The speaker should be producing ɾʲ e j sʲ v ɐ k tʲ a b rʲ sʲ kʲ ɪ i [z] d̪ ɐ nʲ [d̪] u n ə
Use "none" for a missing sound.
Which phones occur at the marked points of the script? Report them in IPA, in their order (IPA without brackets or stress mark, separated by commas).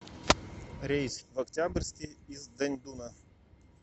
z, d̪